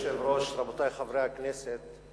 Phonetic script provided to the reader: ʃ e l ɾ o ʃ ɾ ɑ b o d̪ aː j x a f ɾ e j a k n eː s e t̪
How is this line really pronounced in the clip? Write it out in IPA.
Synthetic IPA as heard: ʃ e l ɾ o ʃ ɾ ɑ b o t̪ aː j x a v ɾ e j a k n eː s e t̪